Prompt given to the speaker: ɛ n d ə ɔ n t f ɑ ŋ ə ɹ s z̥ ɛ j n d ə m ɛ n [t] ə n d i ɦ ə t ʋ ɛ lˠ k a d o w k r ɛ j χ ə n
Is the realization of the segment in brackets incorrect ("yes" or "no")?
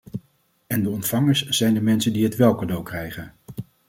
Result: yes